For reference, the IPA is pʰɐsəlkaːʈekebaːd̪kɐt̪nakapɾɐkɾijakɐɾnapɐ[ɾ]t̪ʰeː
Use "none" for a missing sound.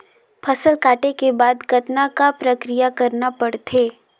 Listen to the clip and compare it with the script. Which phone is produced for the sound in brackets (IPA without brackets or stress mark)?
ɽ